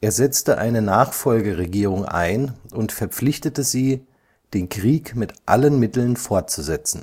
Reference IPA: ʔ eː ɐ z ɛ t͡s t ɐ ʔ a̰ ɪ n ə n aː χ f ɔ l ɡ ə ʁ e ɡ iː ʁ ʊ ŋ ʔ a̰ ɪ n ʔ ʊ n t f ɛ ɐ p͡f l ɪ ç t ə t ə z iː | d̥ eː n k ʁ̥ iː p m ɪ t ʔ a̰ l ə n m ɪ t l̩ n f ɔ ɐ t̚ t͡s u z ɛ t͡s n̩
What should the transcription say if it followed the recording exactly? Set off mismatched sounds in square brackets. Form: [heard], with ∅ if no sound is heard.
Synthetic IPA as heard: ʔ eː ɐ z ɛ t͡s t [ə] ʔ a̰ ɪ n ə n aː χ f ɔ l ɡ ə ʁ e ɡ iː ʁ ʊ ŋ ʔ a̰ ɪ n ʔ ʊ n t f ɛ ɐ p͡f l ɪ ç t ə t ə z iː | d̥ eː n k ʁ̥ iː [k] m ɪ t ʔ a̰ l ə n m ɪ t l̩ n f ɔ ɐ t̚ t͡s u z ɛ t͡s n̩